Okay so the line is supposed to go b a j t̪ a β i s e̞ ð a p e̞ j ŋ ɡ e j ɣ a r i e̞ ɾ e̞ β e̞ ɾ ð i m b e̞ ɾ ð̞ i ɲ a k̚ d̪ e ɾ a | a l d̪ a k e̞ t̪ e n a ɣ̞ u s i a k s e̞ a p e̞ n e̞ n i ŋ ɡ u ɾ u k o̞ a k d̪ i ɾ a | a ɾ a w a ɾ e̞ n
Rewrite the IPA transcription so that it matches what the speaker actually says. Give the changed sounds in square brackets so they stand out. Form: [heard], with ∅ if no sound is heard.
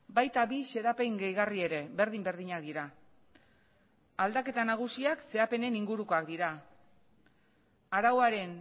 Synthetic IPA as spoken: b a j t̪ a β i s e̞ ð a p e̞ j ŋ ɡ e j ɣ a r i e̞ ɾ e̞ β e̞ ɾ ð i m b e̞ ɾ ð̞ i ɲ a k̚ d̪ [i] ɾ a | a l d̪ a k e̞ t̪ [a] n a ɣ̞ u s i a k s e̞ a p e̞ n e̞ n i ŋ ɡ u ɾ u k o̞ a k d̪ i ɾ a | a ɾ a w a ɾ e̞ n